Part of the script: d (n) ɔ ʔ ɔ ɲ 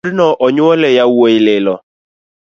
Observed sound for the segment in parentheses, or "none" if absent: n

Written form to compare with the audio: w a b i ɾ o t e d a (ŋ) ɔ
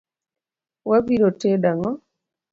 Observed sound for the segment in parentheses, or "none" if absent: ŋ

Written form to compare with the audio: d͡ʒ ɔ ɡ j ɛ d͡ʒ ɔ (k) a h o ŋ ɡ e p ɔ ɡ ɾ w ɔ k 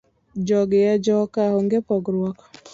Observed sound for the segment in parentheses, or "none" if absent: k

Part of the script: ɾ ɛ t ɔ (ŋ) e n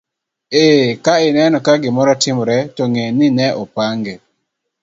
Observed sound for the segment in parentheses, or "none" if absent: ŋ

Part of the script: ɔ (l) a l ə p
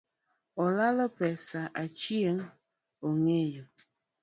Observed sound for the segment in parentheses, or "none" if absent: l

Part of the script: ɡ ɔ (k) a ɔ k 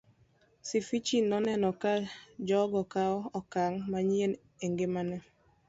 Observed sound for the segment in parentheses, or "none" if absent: k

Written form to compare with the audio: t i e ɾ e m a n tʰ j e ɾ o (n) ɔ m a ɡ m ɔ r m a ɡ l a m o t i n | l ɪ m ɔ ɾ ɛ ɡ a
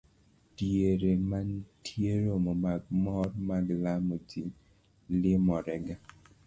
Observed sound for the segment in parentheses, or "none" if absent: m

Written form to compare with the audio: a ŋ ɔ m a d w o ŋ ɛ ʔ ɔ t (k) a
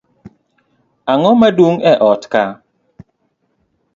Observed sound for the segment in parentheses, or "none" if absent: k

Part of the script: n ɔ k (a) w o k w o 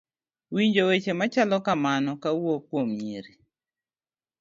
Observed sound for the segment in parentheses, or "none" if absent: a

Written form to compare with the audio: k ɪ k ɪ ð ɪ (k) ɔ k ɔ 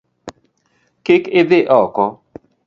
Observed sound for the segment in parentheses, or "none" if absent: ʔ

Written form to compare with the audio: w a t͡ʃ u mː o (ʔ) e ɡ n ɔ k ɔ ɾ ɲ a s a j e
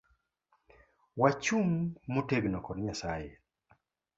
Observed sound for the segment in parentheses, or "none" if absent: t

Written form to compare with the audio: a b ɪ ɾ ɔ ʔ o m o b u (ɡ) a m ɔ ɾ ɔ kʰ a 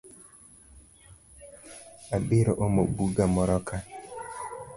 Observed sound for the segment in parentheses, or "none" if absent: ɡ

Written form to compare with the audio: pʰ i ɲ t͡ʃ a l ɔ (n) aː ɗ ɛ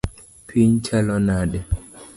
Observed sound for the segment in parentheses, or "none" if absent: n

